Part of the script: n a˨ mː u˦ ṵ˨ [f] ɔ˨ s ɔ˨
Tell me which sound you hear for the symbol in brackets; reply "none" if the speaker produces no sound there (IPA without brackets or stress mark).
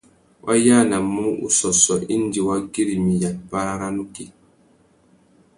s